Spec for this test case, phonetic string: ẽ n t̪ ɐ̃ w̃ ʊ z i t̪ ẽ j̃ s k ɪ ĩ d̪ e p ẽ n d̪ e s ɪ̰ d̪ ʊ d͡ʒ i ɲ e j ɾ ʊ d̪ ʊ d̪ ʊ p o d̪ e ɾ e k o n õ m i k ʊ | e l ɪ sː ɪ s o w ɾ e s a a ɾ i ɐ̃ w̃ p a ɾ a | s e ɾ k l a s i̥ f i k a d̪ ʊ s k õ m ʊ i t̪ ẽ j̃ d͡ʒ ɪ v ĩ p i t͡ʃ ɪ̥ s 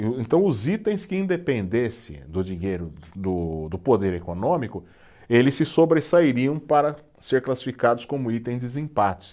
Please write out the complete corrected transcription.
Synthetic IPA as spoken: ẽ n t̪ ɐ̃ w̃ ʊ z i t̪ ẽ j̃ s k ɪ ĩ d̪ e p ẽ n d̪ e s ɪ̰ d̪ ʊ d͡ʒ i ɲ e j ɾ ʊ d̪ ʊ d̪ ʊ p o d̪ e ɾ e k o n õ m i k ʊ | e l ɪ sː ɪ s o b ɾ e s a i ɾ i ɐ̃ w̃ p a ɾ ɐ | s e ɾ k l a s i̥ f i k a d̪ ʊ s k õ m ʊ i t̪ ẽ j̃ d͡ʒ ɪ z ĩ p a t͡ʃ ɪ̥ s